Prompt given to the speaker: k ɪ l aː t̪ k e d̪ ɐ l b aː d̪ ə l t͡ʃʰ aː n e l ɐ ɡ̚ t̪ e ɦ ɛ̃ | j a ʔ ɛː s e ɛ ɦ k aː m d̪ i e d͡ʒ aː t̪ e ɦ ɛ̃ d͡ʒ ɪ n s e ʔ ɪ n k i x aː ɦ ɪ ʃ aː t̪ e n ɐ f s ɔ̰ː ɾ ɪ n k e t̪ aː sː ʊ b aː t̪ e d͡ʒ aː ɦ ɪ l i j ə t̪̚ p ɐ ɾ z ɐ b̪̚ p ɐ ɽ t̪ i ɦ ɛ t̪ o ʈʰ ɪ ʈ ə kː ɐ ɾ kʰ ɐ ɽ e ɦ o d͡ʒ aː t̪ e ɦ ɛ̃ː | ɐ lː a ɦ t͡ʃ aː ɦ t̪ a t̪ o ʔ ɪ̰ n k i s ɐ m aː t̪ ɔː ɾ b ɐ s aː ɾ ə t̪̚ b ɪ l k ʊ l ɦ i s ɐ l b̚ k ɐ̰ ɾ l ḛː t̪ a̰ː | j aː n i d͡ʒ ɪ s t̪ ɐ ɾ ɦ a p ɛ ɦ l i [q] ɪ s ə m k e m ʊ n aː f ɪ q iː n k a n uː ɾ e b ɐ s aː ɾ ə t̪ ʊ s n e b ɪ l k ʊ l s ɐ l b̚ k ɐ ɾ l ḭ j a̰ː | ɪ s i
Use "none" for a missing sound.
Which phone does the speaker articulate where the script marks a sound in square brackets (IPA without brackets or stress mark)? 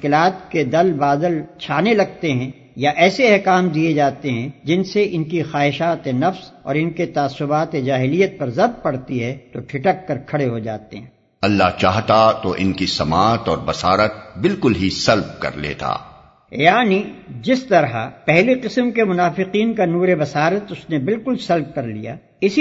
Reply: q